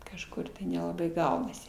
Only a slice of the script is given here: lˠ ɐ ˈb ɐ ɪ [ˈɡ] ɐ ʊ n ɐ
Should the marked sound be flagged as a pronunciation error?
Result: no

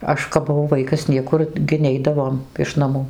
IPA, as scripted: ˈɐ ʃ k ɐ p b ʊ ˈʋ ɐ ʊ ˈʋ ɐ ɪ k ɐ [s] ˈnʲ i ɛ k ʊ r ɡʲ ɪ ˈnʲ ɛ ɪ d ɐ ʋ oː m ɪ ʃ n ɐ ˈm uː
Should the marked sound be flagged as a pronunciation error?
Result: no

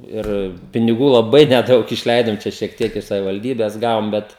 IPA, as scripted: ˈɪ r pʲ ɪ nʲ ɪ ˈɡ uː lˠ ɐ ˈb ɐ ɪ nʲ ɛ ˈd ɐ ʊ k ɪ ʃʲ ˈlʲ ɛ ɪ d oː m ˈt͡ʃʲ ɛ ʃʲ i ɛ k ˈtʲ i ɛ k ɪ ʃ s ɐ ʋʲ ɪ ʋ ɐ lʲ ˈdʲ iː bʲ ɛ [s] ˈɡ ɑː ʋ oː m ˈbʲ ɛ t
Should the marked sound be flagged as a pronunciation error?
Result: no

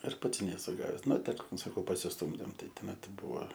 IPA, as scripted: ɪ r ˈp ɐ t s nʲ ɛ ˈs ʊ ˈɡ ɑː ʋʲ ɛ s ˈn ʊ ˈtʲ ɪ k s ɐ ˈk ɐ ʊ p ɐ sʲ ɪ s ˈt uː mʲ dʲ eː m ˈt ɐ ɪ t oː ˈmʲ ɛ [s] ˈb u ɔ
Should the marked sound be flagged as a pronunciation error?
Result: yes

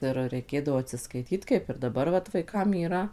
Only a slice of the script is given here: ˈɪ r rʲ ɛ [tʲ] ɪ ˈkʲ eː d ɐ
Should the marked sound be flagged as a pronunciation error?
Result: yes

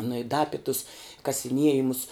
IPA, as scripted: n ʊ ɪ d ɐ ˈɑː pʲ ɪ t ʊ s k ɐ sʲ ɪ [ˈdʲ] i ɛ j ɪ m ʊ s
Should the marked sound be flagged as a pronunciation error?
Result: yes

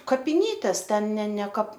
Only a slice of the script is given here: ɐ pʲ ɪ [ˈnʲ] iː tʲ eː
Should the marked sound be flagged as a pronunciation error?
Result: no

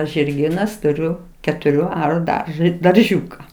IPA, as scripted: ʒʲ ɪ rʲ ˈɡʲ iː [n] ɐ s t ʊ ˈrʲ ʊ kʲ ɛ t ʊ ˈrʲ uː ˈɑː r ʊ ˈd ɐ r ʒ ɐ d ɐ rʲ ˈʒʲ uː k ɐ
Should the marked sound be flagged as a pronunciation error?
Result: no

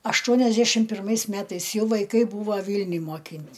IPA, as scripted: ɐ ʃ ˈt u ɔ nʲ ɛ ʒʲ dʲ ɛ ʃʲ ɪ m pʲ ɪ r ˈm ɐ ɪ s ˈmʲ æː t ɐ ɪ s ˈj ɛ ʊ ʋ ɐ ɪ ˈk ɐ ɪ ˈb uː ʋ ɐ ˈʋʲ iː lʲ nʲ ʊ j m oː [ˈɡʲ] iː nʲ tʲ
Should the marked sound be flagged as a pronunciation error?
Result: yes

